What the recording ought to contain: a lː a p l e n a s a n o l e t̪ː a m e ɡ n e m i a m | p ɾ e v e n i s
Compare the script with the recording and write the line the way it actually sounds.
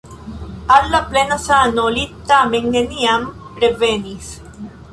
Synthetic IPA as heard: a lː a p l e n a s a n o l i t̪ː a m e ŋ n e n i a m | p ɾ e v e n i s